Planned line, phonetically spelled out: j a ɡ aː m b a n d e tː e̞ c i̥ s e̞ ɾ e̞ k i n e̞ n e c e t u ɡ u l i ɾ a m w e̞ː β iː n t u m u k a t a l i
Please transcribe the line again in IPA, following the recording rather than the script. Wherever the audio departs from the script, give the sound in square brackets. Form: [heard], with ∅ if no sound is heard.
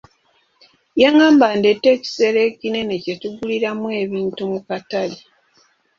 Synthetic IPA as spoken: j a [ŋ] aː m b a n d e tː e̞ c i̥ s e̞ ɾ e̞ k i n e̞ n e c e t u ɡ u l i ɾ a m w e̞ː β iː n t u m u k a t a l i